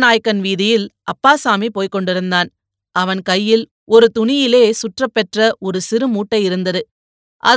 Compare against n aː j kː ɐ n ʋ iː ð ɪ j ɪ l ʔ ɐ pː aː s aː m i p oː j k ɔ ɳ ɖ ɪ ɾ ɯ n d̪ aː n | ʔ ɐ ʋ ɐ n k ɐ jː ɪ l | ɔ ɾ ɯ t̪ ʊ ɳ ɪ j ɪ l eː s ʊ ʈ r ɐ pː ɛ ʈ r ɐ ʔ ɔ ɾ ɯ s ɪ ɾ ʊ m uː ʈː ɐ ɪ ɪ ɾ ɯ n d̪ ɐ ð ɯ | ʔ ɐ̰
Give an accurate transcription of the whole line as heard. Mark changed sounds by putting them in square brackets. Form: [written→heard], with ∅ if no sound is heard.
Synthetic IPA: n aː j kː ɐ n ʋ iː ð ɪ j ɪ l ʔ ɐ pː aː s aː m i p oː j k ɔ ɳ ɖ ɪ ɾ ɯ n d̪ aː n | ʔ ɐ ʋ ɐ n k ɐ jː ɪ l | ɔ ɾ ɯ t̪ ʊ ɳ ɪ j ɪ l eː s ʊ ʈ r ɐ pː ɛ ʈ r ɐ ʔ ɔ ɾ ɯ s ɪ ɾ [ʊ→ɯ] m uː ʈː ɐ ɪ ɪ ɾ ɯ n d̪ ɐ ð ɯ | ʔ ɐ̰